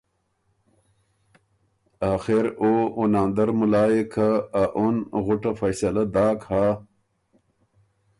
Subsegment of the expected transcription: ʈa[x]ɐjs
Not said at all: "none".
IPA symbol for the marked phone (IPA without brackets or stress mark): f